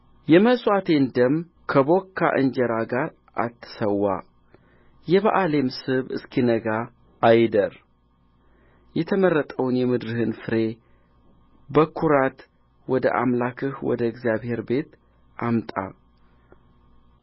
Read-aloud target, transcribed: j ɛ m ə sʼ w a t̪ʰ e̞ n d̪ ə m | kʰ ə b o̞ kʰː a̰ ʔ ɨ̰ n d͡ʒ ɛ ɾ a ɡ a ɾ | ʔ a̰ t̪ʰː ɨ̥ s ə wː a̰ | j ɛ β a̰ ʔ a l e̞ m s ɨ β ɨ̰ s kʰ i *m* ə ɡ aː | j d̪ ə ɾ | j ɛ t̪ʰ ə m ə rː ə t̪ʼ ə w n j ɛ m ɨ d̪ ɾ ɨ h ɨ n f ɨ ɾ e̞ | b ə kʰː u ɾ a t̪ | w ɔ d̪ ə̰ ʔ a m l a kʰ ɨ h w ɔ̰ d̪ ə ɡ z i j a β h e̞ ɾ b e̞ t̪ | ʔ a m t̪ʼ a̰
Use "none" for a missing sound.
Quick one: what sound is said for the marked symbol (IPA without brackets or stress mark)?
n